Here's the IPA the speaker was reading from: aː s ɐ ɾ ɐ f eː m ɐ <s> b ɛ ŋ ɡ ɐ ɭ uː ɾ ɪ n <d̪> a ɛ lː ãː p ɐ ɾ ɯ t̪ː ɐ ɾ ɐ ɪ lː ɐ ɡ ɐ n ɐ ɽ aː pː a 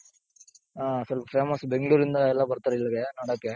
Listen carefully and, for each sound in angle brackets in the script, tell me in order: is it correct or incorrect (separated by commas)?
correct, correct